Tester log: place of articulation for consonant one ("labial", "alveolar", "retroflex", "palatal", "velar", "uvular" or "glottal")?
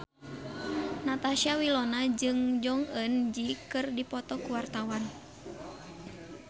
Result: alveolar